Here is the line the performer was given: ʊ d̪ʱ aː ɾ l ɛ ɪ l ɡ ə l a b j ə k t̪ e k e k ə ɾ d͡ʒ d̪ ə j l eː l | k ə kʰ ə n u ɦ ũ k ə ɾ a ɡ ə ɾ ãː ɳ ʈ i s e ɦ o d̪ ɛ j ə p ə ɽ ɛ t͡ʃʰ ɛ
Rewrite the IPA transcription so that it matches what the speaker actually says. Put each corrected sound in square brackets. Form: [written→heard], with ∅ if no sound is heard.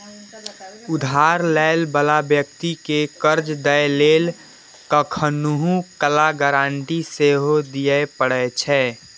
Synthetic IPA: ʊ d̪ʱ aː ɾ l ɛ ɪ l [ɡ→b] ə l a b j ə k t̪ [e→i] k e k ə ɾ d͡ʒ d̪ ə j l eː l | k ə kʰ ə n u ɦ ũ k ə [ɾ→l] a ɡ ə ɾ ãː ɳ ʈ i s e ɦ o d̪ [ɛ→i] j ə p ə ɽ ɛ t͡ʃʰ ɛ